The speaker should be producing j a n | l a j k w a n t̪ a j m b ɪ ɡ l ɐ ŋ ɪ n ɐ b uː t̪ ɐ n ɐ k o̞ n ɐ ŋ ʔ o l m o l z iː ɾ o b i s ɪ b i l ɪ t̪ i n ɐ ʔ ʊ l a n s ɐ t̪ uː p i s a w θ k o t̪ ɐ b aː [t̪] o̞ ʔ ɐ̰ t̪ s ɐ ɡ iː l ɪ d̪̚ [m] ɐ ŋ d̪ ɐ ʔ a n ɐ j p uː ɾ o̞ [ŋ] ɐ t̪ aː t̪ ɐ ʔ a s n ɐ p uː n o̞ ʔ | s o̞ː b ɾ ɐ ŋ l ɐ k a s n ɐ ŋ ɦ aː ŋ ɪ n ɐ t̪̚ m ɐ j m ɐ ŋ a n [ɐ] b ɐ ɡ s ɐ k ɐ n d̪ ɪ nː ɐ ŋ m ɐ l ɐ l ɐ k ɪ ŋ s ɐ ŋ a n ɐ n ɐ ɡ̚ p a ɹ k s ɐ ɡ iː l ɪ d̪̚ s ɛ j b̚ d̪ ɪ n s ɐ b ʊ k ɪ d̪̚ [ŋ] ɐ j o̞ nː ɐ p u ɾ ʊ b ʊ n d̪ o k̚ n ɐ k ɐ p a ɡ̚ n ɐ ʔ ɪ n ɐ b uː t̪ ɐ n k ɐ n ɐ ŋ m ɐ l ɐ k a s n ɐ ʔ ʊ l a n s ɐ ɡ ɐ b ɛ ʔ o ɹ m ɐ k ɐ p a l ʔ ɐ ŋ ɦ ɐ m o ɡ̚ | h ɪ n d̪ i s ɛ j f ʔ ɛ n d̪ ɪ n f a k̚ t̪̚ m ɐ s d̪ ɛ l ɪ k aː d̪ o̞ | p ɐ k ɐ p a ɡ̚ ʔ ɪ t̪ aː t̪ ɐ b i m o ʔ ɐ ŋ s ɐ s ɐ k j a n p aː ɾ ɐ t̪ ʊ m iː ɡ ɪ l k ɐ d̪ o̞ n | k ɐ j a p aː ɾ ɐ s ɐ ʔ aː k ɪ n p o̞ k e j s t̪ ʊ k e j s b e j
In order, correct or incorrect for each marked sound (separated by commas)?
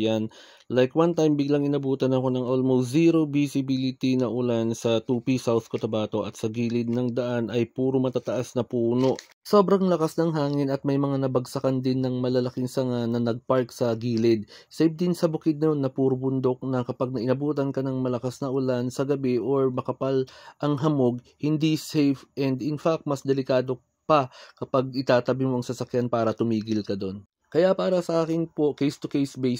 correct, incorrect, incorrect, correct, incorrect